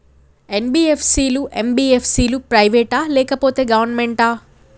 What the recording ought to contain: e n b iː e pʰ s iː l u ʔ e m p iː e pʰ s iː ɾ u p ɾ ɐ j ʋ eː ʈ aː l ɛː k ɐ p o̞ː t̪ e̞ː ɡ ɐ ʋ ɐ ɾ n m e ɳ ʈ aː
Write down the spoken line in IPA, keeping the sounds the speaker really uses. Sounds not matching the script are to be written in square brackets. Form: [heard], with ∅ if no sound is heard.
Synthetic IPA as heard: e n b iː e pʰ s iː l u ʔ e m [b] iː e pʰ s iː [l] u p ɾ ɐ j ʋ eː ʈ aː l ɛː k ɐ p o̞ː t̪ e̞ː ɡ ɐ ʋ ɐ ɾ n m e ɳ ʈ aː